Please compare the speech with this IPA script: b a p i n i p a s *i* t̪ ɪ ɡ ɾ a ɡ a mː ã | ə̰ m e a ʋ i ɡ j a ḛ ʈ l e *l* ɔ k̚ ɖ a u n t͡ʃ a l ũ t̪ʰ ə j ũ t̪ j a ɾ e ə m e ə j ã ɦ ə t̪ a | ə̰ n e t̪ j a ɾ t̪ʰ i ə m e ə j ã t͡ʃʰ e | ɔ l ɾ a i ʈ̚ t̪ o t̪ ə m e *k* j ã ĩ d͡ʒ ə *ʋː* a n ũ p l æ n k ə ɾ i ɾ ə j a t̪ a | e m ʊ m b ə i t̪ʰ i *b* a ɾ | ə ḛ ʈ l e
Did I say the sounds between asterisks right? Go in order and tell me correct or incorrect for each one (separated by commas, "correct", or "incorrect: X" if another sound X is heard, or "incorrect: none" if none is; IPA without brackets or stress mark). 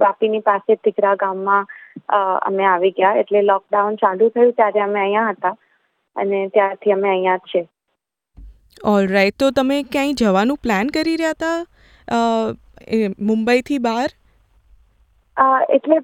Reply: incorrect: e, correct, correct, incorrect: ʋ, correct